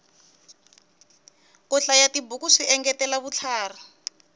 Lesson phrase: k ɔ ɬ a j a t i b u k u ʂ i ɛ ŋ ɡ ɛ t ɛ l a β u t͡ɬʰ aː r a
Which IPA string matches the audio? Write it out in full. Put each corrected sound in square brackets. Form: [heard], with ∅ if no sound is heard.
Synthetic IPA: k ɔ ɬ a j a t i b u k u ʂ i ɛ ŋ ɡ ɛ t ɛ l a β u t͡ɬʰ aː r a

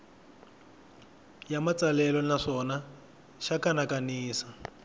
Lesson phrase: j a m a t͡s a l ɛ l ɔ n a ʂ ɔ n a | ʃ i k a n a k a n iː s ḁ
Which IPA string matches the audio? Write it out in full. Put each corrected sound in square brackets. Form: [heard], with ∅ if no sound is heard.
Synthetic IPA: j a m a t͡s a l ɛ l ɔ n a ʂ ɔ n a | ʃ [a] k a n a k a n iː s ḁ

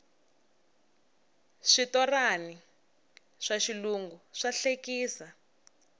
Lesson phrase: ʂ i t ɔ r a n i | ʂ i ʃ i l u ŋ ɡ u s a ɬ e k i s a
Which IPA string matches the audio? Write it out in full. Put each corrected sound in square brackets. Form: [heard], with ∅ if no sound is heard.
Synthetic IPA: ʂ i t ɔ r a n i | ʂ [a] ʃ i l u ŋ ɡ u [ʂ] a ɬ e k [iː] s a

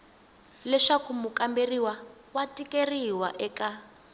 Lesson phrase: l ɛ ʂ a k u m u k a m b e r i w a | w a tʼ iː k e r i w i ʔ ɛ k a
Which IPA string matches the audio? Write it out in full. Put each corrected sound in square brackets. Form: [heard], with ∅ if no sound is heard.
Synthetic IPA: l ɛ ʂ a k u m u k a m b e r i w a | w a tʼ [i] k e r i w [a] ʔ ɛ k a

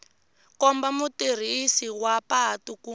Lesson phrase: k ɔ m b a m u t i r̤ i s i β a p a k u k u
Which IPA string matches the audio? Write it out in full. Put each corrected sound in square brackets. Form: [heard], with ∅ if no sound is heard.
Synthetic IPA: k ɔ m b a m u t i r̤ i s i [w] a p a [t] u k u

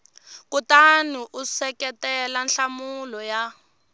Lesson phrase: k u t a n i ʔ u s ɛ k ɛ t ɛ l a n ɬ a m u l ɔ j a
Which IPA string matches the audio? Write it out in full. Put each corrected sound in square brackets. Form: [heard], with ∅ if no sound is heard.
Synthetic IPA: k u t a n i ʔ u s ɛ k ɛ t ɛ l a n ɬ a m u l ɔ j a

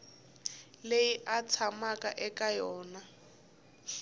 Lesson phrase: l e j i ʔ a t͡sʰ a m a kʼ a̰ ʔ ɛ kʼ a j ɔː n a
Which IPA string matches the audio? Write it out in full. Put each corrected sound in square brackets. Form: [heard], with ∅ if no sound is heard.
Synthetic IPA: l e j i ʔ a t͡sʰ a m a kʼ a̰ ʔ ɛ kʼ a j ɔː n a

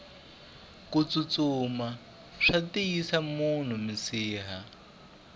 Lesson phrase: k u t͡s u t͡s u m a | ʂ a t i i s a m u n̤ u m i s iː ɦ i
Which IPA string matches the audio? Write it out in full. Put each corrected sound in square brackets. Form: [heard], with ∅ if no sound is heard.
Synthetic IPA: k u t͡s u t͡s u m a | ʂ a t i i s a m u n̤ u m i s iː ɦ [a]

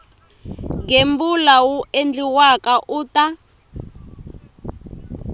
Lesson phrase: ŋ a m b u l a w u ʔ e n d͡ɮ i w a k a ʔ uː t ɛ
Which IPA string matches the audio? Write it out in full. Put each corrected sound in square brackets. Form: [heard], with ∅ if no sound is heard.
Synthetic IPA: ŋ [e] m b u l a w u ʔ e n d͡ɮ i w a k a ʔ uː t [a]

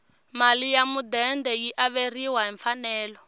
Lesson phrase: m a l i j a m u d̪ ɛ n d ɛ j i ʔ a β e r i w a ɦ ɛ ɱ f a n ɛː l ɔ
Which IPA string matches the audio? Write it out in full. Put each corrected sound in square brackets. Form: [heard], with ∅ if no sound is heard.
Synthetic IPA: m a l i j a m u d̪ ɛ n d ɛ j i ʔ a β e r i w a ɦ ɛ ɱ f a n ɛː l ɔ

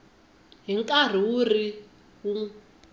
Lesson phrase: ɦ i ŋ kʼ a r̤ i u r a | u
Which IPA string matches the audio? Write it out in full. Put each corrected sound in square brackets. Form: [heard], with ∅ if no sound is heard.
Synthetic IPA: ɦ i ŋ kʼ a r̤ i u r [i] | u

